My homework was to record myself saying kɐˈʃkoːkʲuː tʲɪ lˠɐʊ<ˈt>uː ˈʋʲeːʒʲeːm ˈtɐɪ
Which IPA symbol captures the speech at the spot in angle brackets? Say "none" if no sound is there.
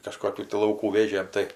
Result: k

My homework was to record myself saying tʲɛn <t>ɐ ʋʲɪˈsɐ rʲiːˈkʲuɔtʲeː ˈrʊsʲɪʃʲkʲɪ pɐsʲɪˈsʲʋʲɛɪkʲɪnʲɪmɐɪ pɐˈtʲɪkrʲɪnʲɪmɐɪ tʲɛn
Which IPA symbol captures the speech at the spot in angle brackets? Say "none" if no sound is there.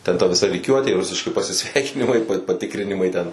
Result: t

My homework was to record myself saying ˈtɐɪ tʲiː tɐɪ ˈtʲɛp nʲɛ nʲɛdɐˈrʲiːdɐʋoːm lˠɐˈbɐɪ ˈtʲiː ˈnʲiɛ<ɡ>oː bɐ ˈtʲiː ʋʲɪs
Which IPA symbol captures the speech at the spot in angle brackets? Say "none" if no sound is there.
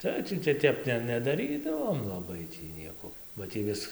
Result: k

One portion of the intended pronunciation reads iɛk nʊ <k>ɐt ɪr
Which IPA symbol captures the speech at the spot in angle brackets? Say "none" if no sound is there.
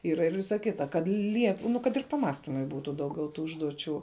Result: k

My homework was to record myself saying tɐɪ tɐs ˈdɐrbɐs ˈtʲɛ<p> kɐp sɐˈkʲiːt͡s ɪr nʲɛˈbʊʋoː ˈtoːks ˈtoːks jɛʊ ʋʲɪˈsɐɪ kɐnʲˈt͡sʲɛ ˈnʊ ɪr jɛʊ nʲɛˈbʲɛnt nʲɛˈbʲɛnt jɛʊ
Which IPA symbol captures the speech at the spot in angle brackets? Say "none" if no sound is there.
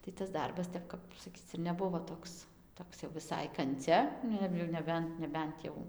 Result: p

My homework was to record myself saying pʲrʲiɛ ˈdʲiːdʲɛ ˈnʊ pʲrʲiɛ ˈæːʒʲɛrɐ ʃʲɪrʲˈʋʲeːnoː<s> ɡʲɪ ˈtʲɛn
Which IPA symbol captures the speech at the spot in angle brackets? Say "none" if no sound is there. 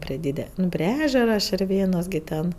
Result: s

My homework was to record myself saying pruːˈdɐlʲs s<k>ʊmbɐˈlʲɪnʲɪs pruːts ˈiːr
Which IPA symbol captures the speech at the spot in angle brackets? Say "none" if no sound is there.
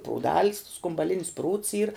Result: k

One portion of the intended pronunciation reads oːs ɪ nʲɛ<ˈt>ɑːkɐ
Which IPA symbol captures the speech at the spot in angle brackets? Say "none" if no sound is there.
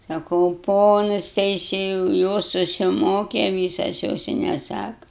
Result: s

